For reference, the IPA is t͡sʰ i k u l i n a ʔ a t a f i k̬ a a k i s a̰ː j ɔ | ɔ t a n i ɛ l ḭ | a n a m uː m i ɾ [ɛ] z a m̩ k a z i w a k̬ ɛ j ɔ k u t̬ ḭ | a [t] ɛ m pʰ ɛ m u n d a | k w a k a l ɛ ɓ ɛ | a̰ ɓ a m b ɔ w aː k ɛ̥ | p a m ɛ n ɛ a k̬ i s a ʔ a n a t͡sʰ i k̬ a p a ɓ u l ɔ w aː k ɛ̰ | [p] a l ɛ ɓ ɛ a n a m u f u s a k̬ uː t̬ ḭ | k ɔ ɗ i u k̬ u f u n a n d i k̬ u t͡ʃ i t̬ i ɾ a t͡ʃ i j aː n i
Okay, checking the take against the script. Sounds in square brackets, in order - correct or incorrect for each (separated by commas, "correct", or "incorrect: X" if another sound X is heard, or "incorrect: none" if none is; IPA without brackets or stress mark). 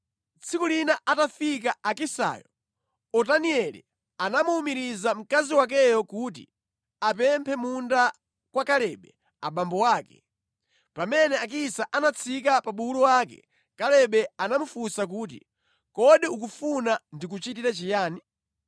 incorrect: i, incorrect: p, incorrect: k